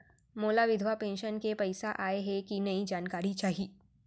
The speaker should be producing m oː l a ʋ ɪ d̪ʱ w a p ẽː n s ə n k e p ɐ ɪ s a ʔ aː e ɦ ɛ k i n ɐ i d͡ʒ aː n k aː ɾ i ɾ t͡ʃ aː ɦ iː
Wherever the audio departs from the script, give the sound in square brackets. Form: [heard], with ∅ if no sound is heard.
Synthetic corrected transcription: m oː l a ʋ ɪ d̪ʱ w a p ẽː n [ʃ] ə n k e p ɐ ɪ s a ʔ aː e ɦ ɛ k i n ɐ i d͡ʒ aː n k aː ɾ i [∅] t͡ʃ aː ɦ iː